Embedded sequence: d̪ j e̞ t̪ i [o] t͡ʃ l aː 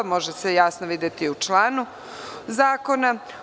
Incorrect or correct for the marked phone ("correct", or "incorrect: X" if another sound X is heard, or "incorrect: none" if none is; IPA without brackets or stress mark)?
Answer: incorrect: u